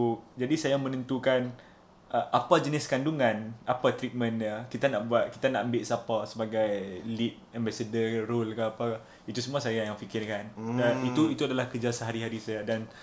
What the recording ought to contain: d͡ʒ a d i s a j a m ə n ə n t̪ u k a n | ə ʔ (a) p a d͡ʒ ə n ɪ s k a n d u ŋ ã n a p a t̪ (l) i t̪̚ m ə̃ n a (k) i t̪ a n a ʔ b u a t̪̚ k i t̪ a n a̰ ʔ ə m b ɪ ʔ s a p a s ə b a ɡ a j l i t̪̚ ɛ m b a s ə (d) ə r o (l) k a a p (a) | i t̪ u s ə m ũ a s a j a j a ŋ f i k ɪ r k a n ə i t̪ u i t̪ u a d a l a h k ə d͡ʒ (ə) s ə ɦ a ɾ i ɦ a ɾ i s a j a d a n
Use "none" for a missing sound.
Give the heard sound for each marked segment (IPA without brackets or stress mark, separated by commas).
a, ɾ, k, d, l, a, a